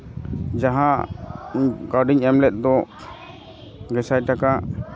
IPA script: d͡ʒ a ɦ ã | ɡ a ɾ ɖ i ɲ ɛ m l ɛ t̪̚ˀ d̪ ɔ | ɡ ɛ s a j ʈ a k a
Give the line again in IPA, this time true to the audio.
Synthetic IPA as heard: d͡ʒ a ɦ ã | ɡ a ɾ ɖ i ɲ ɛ m l ɛ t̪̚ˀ d̪ ɔ | ɡ ɛ s a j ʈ a k a